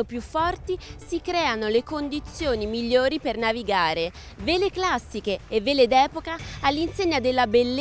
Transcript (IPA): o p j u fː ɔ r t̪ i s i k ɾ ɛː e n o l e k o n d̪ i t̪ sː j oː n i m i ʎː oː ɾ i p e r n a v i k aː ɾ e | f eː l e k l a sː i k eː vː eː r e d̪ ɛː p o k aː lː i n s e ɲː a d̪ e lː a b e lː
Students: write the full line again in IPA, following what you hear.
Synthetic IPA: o p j u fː ɔ r t̪ i s i k ɾ ɛː a n o l e k o n d̪ i t̪ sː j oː n i m i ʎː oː ɾ i p e r n a v i ɡ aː ɾ e | v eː l e k l a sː i k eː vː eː l e d̪ ɛː p o k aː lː i n s e ɲː a d̪ e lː a b e lː